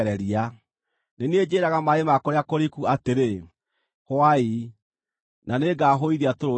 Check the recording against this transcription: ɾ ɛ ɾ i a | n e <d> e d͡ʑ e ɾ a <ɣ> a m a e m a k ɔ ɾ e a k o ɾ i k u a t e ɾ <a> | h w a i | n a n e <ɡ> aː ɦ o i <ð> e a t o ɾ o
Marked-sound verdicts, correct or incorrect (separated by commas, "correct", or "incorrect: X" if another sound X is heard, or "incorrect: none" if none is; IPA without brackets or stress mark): incorrect: n, correct, incorrect: e, correct, correct